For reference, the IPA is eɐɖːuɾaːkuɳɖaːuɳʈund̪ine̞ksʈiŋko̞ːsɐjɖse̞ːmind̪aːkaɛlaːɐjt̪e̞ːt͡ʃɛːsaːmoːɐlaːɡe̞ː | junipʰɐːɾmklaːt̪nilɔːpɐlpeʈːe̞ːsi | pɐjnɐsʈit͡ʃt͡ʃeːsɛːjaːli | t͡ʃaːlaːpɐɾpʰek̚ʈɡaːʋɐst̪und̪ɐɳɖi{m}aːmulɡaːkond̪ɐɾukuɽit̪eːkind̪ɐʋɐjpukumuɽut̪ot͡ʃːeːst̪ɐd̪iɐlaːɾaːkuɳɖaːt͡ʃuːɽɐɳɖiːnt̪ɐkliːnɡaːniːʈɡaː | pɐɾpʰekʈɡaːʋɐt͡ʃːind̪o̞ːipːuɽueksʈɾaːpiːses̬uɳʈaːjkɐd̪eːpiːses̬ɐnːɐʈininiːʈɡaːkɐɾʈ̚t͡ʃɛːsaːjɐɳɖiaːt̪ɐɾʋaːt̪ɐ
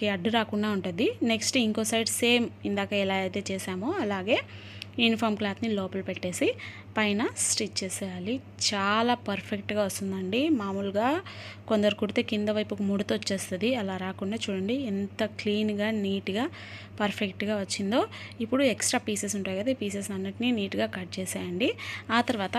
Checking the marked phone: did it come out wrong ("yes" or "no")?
no